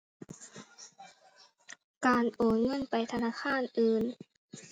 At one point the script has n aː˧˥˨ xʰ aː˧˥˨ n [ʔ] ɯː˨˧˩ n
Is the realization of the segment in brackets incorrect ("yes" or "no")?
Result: no